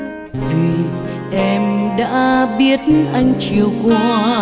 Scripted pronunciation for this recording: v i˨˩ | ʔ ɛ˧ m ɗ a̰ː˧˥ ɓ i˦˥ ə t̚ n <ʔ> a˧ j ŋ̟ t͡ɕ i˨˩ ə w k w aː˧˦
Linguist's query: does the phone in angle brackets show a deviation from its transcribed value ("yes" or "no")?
no